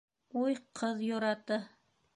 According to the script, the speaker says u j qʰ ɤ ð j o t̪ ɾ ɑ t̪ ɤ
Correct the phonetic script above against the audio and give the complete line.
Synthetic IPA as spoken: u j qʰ ɤ ð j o ɾ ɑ t̪ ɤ

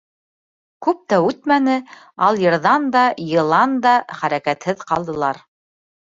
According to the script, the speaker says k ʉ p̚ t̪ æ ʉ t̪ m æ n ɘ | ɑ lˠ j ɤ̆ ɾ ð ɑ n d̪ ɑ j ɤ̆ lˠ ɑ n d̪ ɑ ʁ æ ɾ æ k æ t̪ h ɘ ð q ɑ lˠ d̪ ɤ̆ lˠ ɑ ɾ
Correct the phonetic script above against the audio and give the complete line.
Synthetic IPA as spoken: k ʉ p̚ t̪ æ ʉ t̪ m æ n ɘ | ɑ lˠ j ɤ̆ ɾ ð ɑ n d̪ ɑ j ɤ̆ lˠ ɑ n d̪ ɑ χ æ ɾ æ k æ t̪ h ɘ ð q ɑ lˠ d̪ ɤ̆ lˠ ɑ ɾ

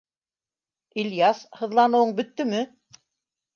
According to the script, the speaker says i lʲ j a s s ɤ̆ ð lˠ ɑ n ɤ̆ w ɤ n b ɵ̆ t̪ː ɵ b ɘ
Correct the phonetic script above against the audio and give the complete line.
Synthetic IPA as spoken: i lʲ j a s h ɤ̆ ð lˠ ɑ n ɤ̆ w ɤ ɴ b ɵ̆ t̪ː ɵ m ɘ

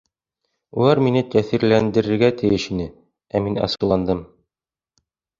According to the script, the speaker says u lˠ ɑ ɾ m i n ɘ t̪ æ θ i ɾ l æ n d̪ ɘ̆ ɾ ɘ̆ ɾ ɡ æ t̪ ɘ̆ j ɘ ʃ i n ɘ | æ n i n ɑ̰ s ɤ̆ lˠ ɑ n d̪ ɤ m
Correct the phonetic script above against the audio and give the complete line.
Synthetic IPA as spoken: u lˠ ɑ ɾ m i n ɘ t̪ æ θ i ɾ l æ n d̪ ɘ̆ ɾ ɘ̆ ɾ ɡ æ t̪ ɘ̆ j ɘ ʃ i n ɘ | æ m i n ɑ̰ s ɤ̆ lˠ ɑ n d̪ ɤ m

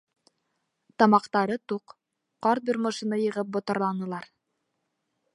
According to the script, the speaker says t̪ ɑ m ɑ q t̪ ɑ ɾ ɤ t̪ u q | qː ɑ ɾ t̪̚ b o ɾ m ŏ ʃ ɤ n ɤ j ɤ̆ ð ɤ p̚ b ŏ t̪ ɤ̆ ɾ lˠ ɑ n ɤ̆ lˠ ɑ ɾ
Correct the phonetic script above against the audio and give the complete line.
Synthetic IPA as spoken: t̪ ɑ m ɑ q t̪ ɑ ɾ ɤ t̪ u q | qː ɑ ɾ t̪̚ b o ɾ m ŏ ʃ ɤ n ɤ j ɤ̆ ʁ ɤ p̚ b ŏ t̪ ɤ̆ ɾ lˠ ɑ n ɤ̆ lˠ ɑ ɾ

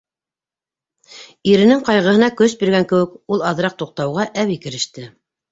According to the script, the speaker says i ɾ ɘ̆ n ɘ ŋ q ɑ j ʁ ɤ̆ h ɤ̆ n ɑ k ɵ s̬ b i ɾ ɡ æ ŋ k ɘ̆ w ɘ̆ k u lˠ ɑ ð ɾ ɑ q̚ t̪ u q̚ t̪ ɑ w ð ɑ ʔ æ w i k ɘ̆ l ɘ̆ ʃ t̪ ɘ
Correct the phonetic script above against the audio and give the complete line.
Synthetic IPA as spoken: i ɾ ɘ̆ n ɘ ŋ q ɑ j ʁ ɤ̆ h ɤ̆ n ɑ k ɵ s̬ b i ɾ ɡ æ ŋ k ɘ̆ w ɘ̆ k u lˠ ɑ ð ɾ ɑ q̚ t̪ u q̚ t̪ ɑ w ʁ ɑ ʔ æ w i k ɘ̆ ɾ ɘ̆ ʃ t̪ ɘ

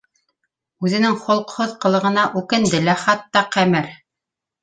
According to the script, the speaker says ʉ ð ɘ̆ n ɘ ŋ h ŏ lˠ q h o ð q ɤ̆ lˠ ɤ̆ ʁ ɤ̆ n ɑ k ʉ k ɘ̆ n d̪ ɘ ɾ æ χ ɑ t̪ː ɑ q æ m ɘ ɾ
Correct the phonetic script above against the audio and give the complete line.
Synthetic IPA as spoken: ʉ ð ɘ̆ n ɘ ŋ χ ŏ lˠ q h o ð q ɤ̆ lˠ ɤ̆ ʁ ɤ̆ n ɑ ʔ ʉ k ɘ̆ n d̪ ɘ l æ χ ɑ t̪ː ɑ q æ m ɘ ɾ

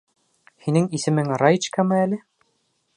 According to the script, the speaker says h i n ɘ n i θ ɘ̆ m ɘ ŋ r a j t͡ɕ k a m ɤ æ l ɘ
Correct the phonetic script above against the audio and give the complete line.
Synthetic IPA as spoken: h i n ɘ ŋ i s ɘ̆ m ɘ ŋ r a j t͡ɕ k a m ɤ æ l ɘ

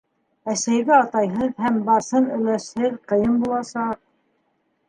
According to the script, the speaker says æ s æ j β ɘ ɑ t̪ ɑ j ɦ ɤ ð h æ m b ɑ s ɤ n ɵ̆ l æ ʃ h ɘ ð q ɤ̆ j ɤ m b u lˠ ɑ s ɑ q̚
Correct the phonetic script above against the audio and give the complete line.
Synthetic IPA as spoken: æ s æ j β ɘ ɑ t̪ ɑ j ɦ ɤ ð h æ m b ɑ s ɤ n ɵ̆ l æ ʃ h ɘ ð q ɤ̆ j ɤ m b u lˠ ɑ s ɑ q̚

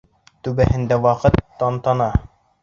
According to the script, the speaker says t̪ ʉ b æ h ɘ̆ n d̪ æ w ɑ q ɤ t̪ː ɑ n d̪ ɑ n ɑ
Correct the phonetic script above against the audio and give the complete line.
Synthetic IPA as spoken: t̪ ʉ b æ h ɘ̆ n d̪ æ w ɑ q ɤ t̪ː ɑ n t̪ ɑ n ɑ

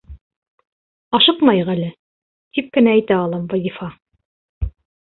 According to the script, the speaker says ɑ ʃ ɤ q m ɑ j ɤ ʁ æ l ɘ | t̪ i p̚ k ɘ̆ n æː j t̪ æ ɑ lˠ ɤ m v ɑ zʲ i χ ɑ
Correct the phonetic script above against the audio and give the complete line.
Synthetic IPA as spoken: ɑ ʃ ɤ q m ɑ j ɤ ʁ æ l ɘ | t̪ i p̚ k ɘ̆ n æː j t̪ æ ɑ lˠ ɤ m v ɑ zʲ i f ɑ

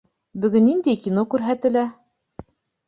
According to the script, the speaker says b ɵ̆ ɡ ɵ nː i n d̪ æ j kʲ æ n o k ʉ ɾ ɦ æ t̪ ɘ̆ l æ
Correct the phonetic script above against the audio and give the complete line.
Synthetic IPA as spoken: b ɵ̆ ɡ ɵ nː i n d̪ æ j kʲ i n o k ʉ ɾ ɦ æ t̪ ɘ̆ l æ

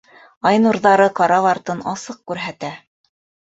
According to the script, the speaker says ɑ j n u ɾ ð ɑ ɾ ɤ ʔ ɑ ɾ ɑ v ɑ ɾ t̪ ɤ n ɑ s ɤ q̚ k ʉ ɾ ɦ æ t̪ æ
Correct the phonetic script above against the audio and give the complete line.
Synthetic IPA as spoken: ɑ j n u ɾ ð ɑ ɾ ɤ q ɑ ɾ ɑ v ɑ ɾ t̪ ɤ n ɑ s ɤ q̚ k ʉ ɾ ɦ æ t̪ æ

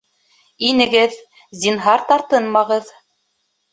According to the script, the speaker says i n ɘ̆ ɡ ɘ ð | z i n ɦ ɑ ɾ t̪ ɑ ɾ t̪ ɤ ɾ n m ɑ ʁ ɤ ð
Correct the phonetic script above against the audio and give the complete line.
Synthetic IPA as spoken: i n ɘ̆ ɡ ɘ ð | z i n ɦ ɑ ɾ t̪ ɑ ɾ t̪ ɤ n m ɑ ʁ ɤ ð

